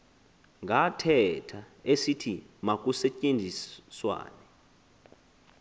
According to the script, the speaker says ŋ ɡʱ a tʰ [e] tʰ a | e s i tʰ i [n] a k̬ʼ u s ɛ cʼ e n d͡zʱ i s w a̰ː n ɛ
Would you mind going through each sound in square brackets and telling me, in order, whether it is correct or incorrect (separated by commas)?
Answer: incorrect, incorrect